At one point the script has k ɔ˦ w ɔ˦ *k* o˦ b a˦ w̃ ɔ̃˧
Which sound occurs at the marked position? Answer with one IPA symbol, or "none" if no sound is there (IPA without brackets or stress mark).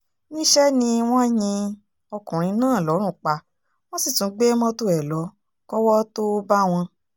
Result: t